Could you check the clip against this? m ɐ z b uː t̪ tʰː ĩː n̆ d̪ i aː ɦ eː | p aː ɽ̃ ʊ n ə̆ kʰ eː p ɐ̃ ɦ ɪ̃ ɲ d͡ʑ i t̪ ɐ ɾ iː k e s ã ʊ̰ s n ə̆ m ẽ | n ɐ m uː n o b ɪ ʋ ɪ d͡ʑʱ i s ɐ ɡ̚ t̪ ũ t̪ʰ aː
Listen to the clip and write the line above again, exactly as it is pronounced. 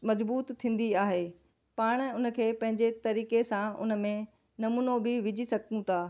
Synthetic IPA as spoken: m ɐ z b uː t̪ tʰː ĩː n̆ d̪ i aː ɦ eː | p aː ɽ̃ ʊ n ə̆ kʰ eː p ɐ̃ ɦ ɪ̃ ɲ d͡ʑ e t̪ ɐ ɾ iː k e s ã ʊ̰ n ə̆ m ẽ | n ɐ m uː n o b ɪ ʋ ɪ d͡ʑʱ i s ɐ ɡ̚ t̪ ũ t̪ʰ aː

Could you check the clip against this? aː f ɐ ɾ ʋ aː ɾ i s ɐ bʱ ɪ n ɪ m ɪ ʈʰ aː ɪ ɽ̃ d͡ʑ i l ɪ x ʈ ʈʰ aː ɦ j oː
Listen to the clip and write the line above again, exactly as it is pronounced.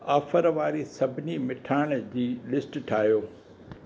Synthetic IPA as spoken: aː f ə ɾ ʋ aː ɾ i s ɐ bʱ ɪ n i m ɪ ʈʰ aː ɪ ɽ̃ d͡ʑ iː l ɪ s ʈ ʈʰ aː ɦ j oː

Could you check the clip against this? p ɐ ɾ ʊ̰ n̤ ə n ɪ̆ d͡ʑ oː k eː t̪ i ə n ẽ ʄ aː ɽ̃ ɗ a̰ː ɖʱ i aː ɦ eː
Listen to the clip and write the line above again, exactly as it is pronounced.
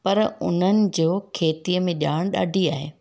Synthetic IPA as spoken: p ɐ ɾ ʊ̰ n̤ ə n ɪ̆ d͡ʑ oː kʰ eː t̪ i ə m ẽ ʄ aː ɽ̃ ɗ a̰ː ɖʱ i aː ɦ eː

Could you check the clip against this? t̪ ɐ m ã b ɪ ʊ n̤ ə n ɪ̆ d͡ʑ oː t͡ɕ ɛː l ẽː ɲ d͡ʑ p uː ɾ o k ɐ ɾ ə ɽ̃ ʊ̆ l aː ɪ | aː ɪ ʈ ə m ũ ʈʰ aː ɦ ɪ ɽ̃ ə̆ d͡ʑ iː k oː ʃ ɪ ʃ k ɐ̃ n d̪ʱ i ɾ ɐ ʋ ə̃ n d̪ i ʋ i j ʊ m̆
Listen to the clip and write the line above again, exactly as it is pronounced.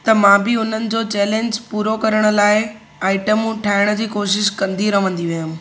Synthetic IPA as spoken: t̪ ɐ m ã b ɪ ʊ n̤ ə n ɪ̆ d͡ʑ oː t͡ɕ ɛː l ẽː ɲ d͡ʑ p uː ɾ o k ɐ ɾ ə ɽ̃ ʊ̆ l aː ɪ | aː ɪ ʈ ə m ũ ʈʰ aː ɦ ɪ ɽ̃ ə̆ d͡ʑ iː k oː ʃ ɪ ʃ k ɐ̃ n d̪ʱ i ɾ ɐ ʋ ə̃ n d̪ i ʋ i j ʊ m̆

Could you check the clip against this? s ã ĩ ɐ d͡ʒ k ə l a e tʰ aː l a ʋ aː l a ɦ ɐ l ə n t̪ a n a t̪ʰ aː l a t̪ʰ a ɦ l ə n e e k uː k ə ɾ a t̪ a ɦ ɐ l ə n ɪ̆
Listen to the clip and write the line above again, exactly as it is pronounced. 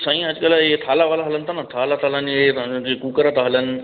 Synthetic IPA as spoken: s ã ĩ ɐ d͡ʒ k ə l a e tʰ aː l a ʋ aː l a ɦ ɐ l ə n t̪ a n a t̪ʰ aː l a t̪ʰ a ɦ l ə n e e k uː k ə ɾ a t̪ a ɦ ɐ l ə n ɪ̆

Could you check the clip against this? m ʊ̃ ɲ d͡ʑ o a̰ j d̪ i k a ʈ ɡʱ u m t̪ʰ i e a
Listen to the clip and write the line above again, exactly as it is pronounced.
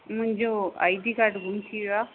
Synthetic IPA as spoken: m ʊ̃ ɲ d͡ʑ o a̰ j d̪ i k a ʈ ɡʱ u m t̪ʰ i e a

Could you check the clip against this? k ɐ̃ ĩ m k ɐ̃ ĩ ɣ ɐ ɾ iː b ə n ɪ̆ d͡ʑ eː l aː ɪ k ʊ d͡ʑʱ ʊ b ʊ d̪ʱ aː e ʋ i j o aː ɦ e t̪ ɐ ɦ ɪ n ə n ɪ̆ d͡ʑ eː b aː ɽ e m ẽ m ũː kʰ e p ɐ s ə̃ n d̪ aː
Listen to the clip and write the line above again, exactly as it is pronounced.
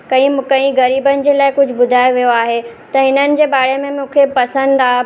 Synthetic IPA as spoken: k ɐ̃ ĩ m k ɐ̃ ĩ ɣ ɐ ɾ iː b ə n ɪ̆ d͡ʑ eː l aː ɪ k ʊ d͡ʑʱ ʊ b ʊ d̪ʱ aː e ʋ i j o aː ɦ e t̪ ɐ ɦ ɪ n ə n ɪ̆ d͡ʑ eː b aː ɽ e m ẽ m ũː kʰ e p ɐ s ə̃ n d̪ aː

